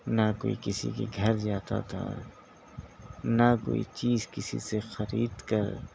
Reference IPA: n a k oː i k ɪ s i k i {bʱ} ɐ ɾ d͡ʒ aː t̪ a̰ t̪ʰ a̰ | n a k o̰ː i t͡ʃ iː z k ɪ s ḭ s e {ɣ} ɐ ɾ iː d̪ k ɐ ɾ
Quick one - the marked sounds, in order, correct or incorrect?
incorrect: ɡʱ, incorrect: x

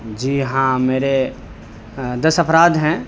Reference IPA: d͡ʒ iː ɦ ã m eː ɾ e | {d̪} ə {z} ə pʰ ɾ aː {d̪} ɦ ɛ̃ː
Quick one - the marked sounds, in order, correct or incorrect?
correct, incorrect: s, correct

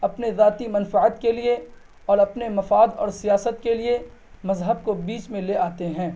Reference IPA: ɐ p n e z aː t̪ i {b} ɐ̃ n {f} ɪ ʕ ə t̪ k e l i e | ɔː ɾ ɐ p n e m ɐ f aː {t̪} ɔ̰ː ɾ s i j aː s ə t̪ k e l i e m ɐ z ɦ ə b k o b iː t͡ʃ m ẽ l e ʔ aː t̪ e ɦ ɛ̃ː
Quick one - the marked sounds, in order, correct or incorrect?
incorrect: m, correct, incorrect: d̪

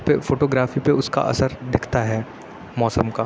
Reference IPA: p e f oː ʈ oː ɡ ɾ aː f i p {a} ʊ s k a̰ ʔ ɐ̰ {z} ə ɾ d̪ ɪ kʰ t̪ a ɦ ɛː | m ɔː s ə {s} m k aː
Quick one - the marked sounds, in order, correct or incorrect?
incorrect: e, incorrect: s, incorrect: none

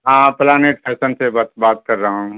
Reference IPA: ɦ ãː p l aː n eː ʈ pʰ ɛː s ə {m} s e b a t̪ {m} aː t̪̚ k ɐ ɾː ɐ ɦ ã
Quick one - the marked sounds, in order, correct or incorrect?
incorrect: n, incorrect: b

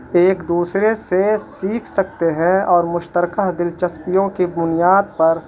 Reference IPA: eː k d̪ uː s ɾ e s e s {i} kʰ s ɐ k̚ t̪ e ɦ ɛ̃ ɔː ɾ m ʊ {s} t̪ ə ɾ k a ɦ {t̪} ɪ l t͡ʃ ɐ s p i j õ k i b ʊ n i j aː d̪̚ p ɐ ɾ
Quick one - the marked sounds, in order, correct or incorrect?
incorrect: iː, incorrect: ʃ, incorrect: d̪

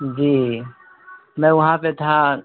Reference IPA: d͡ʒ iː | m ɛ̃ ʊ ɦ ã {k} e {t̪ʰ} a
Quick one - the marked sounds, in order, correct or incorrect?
incorrect: p, correct

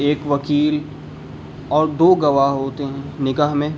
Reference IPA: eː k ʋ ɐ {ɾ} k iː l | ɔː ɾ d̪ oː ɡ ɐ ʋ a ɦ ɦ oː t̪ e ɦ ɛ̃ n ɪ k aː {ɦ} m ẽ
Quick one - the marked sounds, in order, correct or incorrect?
incorrect: none, correct

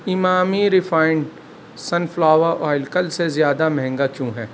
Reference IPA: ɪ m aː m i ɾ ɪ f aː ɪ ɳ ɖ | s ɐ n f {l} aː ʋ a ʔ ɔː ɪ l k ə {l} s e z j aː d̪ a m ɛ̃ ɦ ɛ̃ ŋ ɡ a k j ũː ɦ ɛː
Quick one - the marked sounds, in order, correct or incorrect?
correct, correct

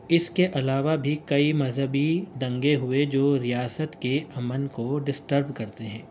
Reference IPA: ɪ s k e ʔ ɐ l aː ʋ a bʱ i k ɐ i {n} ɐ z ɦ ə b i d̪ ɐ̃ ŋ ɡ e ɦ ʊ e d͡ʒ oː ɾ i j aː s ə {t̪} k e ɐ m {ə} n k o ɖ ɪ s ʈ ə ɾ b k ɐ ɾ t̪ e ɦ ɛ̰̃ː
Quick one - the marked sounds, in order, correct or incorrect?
incorrect: m, correct, correct

